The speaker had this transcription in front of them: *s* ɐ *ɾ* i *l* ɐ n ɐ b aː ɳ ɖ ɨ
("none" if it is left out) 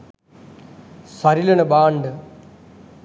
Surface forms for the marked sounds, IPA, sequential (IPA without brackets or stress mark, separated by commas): s, ɾ, l